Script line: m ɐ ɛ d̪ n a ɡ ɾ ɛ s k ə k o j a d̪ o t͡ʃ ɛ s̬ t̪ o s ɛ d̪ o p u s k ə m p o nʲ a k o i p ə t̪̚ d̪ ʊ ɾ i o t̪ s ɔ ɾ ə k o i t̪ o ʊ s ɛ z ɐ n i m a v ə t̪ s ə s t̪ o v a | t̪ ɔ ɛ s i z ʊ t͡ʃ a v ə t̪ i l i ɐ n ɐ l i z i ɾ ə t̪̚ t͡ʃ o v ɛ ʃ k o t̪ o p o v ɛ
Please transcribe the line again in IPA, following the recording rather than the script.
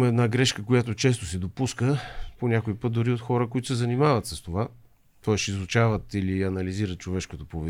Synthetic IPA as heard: m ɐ ɛ d̪ n a ɡ ɾ ɛ ʃ k ə k o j a t̪ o t͡ʃ ɛ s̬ t̪ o s ɛ d̪ o p u s k ə p o nʲ a k o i p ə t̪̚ d̪ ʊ ɾ i o t̪ x ɔ ɾ ə k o i t̪ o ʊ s ɛ z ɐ n i m a v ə t̪ s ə s t̪ o v a | t̪ ɔ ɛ s i z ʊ t͡ʃ a v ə t̪ i l i ɐ n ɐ l i z i ɾ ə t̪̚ t͡ʃ o v ɛ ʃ k o t̪ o p o v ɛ